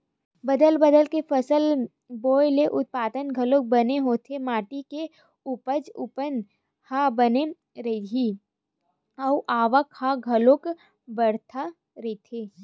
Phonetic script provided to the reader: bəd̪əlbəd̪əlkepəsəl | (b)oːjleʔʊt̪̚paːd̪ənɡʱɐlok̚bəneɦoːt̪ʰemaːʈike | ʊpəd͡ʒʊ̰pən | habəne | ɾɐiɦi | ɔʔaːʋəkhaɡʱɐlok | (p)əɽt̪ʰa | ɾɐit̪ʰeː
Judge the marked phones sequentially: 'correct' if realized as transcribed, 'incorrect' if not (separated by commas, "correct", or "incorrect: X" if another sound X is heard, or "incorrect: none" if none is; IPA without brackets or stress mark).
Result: correct, incorrect: b